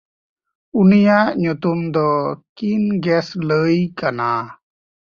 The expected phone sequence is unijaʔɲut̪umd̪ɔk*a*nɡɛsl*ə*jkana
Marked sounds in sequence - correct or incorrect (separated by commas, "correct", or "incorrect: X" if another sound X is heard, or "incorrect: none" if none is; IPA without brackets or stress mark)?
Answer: incorrect: i, correct